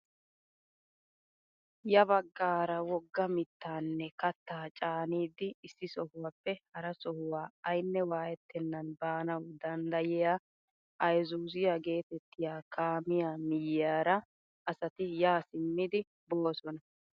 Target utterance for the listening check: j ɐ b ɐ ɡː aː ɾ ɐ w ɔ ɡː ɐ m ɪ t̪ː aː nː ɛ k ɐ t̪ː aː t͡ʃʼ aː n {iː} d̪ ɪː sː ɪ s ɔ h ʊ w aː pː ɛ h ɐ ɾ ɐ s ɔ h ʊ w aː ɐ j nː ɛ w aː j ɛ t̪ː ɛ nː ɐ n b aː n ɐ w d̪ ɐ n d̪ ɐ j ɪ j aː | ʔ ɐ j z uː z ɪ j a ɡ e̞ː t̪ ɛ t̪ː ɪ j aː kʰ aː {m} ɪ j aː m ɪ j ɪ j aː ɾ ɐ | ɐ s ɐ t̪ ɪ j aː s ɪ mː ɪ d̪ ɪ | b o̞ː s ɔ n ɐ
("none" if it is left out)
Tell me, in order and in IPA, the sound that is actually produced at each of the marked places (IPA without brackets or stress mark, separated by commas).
iː, m